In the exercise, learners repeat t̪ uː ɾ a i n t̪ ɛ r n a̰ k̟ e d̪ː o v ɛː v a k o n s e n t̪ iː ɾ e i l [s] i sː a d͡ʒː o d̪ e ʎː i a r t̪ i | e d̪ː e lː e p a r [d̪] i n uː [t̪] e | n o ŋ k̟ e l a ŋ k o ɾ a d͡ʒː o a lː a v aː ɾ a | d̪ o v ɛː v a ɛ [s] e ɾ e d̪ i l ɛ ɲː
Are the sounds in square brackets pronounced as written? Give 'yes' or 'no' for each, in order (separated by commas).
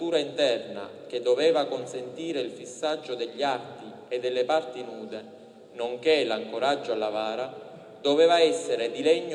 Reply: no, no, no, no